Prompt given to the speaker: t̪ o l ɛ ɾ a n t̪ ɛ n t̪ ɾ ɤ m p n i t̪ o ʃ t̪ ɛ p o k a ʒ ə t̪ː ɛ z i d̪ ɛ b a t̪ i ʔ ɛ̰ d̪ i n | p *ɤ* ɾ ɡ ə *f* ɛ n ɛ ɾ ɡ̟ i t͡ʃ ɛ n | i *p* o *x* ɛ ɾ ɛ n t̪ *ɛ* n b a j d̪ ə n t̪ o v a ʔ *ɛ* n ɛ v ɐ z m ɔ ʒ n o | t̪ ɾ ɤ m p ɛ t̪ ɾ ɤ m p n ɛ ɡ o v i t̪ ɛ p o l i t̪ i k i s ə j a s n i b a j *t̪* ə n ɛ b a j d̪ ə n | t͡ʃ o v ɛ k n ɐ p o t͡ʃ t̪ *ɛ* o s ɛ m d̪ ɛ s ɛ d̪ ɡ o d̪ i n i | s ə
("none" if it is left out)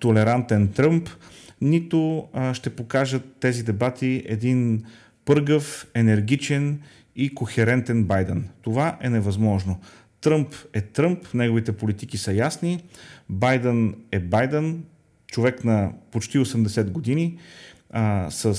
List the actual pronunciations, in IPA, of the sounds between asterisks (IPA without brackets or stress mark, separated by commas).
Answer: ɤ, f, k, x, ɛ, ɛ, d̪, i